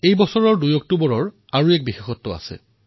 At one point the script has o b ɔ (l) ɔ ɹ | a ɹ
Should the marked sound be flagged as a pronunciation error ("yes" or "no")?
yes